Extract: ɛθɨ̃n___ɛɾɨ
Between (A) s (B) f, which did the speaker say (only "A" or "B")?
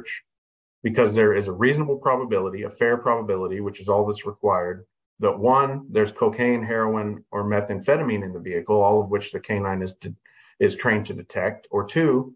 B